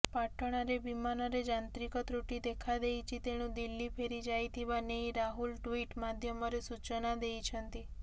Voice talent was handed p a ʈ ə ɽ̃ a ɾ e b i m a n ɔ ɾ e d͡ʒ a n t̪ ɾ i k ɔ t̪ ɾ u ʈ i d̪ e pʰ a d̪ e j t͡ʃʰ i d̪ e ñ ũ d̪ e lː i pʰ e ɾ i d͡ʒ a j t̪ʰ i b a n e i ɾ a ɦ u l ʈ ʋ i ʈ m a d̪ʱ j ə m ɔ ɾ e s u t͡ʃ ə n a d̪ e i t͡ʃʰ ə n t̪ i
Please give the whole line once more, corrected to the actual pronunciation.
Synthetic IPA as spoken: p a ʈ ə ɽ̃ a ɾ e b i m a n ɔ ɾ e d͡ʒ a n t̪ ɾ i k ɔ t̪ ɾ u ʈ i d̪ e kʰ a d̪ e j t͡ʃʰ i t̪ e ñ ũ d̪ i lː i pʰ e ɾ i d͡ʒ a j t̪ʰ i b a n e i ɾ a ɦ u l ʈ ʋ i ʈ m a d̪ʱ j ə m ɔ ɾ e s u t͡ʃ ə n a d̪ e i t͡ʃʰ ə n t̪ i